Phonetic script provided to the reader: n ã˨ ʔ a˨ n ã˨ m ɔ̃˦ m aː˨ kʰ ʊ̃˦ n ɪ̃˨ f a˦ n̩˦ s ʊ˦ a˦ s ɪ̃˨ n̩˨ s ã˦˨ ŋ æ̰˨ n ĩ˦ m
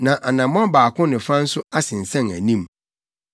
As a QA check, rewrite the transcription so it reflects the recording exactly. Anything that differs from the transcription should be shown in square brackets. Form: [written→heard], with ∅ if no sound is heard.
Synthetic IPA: n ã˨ ʔ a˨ n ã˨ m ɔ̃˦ [m→b] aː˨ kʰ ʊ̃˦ n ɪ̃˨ f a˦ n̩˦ s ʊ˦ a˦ s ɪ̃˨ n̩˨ s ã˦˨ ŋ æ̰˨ n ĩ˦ m